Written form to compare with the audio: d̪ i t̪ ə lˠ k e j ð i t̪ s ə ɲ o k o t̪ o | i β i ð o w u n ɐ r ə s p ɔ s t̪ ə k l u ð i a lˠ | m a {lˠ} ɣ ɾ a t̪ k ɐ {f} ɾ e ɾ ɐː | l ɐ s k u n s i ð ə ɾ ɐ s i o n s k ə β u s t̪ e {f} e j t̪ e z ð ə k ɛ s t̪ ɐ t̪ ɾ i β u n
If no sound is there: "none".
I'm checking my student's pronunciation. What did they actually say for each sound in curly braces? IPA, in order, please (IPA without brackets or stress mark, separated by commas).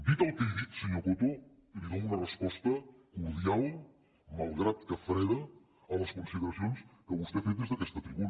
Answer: lˠ, f, f